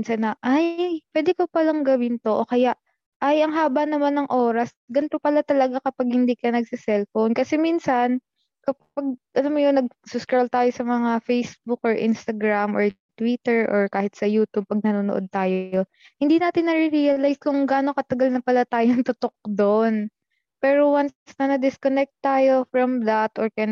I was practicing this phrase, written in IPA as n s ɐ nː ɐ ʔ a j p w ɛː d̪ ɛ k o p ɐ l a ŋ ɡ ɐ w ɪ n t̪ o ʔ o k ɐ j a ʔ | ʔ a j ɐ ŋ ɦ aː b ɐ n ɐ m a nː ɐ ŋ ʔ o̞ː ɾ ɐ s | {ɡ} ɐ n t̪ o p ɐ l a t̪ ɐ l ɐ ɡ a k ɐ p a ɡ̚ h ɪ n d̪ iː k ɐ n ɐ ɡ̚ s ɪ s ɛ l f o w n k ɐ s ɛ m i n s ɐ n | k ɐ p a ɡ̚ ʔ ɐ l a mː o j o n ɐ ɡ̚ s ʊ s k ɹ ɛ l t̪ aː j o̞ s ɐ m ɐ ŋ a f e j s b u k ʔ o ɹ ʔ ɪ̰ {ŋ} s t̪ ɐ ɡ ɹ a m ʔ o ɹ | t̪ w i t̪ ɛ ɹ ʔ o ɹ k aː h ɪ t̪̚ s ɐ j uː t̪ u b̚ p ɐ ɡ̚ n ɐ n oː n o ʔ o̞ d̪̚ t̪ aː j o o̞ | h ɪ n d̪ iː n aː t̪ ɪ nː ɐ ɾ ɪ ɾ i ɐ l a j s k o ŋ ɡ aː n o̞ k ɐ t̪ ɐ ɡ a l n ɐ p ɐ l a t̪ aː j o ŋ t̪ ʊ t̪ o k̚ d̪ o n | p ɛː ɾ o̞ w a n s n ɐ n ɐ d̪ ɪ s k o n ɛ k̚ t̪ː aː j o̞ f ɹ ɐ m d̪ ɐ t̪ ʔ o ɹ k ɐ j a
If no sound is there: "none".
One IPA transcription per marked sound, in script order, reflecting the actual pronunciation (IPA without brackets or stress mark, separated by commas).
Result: ɡ, n